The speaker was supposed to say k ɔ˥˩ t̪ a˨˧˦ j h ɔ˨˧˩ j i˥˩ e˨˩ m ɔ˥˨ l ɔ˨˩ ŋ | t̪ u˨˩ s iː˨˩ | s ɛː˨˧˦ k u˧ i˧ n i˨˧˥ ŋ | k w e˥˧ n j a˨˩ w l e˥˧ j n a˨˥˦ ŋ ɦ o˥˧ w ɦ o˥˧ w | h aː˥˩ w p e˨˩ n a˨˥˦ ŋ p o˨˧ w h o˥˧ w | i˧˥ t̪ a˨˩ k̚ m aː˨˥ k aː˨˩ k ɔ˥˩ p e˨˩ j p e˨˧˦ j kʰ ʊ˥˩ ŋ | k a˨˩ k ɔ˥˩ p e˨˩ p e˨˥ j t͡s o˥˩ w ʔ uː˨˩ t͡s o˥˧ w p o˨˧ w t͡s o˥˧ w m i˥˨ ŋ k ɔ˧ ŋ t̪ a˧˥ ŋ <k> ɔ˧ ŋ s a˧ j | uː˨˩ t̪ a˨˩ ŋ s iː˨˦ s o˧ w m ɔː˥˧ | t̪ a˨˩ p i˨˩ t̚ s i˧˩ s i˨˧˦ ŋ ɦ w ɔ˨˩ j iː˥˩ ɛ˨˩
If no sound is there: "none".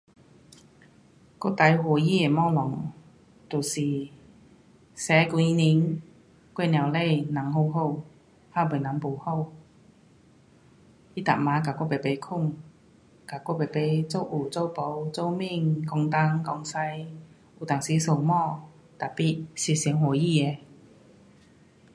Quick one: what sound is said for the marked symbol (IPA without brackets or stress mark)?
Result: k